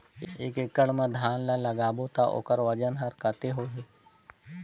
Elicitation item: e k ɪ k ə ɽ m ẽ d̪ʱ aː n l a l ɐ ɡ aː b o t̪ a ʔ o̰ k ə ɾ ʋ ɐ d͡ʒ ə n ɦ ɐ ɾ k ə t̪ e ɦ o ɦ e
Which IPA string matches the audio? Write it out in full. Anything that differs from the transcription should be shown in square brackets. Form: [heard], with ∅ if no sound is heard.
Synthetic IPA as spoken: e k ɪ k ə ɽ m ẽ d̪ʱ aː n l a l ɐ ɡ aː b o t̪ a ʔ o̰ k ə ɾ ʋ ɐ d͡ʒ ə n ɦ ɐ ɾ k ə t̪ e ɦ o ɦ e